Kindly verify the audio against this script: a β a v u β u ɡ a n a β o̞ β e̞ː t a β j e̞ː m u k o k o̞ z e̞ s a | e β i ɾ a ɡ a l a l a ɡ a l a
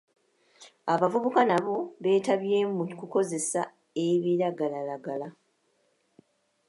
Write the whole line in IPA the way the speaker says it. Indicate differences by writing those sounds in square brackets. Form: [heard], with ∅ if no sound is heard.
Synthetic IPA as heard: a β a v u β u [k] a n a β o̞ β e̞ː t a β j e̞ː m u k [u] k o̞ z e̞ s a | e β i ɾ a ɡ a l a l a ɡ a l a